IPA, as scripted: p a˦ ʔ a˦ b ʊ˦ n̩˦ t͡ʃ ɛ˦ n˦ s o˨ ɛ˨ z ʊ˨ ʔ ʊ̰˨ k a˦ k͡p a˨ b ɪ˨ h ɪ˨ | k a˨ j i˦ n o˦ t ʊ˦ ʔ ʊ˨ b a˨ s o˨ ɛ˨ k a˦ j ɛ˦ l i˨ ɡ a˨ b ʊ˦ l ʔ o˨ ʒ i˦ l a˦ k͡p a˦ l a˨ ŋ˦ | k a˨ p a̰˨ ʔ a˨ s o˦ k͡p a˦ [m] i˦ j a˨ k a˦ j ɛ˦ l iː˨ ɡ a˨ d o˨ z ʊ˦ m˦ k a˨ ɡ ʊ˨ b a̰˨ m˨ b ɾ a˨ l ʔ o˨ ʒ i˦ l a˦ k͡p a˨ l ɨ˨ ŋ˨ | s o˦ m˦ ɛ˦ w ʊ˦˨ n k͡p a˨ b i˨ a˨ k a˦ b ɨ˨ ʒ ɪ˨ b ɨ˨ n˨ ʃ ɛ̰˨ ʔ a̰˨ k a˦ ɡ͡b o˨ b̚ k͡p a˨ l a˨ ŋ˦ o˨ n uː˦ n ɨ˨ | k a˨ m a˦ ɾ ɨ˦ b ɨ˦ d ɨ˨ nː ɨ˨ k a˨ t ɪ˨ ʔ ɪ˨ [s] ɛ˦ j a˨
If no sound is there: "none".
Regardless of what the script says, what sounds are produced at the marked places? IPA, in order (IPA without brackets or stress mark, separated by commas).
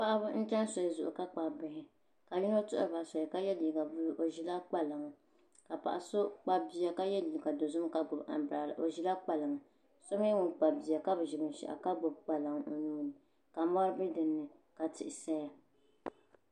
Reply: b, s